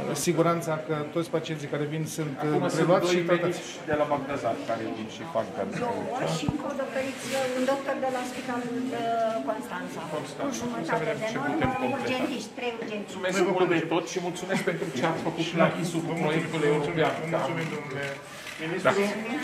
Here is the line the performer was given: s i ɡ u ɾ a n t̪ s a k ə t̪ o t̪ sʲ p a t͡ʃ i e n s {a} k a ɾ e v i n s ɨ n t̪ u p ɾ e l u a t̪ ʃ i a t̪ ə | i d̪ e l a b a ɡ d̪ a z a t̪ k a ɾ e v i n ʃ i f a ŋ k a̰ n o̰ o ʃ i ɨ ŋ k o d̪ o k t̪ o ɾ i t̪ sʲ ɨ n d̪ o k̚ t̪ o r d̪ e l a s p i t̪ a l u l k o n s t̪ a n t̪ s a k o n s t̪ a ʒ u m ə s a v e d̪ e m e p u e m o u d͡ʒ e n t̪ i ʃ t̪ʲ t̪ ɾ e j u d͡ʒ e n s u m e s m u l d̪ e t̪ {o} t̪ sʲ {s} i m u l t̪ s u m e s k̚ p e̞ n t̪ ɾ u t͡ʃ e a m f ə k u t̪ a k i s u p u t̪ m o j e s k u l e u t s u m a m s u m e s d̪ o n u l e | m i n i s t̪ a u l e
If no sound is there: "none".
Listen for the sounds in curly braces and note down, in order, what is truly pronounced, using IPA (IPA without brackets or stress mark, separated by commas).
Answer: i, o, ʃ